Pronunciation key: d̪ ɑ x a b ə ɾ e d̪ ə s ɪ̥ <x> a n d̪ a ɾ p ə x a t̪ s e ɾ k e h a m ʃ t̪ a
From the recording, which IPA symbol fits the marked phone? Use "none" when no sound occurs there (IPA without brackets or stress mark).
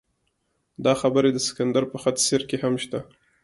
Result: k